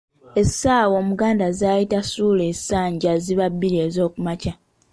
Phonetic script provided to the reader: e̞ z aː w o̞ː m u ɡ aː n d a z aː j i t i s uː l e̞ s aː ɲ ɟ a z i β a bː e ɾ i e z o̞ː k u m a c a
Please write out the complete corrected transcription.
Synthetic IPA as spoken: e̞ s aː w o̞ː m u ɡ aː n d a z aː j i t a s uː l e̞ s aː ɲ ɟ a z i β a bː i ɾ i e z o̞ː k u m a c a